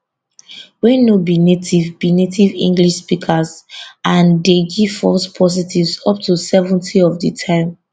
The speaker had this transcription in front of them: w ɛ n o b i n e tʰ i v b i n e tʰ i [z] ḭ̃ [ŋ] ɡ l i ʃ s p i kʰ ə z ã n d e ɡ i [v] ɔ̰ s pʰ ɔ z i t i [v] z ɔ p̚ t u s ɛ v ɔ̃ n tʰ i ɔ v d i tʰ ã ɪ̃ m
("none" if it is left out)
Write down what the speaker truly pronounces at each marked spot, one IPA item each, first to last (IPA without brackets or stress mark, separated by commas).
v, ŋ, f, v